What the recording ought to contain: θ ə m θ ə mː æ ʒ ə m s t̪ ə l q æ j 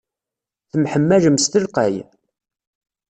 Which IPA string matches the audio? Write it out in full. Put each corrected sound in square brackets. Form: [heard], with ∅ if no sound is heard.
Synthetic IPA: θ ə m [ħ] ə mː æ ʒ ə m s t̪ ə l q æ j